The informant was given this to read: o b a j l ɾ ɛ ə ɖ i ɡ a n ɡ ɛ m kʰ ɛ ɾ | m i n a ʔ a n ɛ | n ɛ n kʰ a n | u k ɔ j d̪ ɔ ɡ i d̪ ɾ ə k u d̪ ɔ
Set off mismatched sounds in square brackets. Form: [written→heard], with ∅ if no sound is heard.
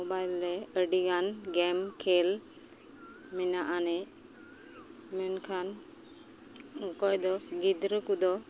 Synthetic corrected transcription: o b a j l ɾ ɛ ə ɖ i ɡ a n ɡ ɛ m kʰ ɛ [ɾ→l] | m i n a ʔ a n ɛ | [n→m] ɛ n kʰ a n | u k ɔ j d̪ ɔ ɡ i d̪ ɾ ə k u d̪ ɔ